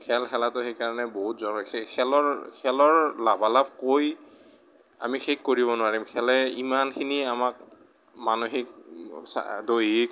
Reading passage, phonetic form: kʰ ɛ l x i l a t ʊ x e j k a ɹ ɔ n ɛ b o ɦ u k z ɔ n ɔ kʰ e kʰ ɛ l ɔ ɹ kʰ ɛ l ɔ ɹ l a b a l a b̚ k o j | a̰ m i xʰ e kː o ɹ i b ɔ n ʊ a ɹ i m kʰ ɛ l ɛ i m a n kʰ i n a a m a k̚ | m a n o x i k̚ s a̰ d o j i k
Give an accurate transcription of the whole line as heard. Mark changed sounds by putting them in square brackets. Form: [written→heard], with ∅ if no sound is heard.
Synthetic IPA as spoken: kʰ ɛ l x [i→ɛ] l a t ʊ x e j k a ɹ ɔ n ɛ b o ɦ u [k→t] z ɔ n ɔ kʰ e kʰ ɛ l ɔ ɹ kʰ ɛ l ɔ ɹ l a b a l a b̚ k o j | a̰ m i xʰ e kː o ɹ i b ɔ n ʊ a ɹ i m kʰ ɛ l ɛ i m a n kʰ i n [a→i] a m a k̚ | m a n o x i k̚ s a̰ d o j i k